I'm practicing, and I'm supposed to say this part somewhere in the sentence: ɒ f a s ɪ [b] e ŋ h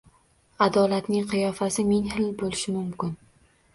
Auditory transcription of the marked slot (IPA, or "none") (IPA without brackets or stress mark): m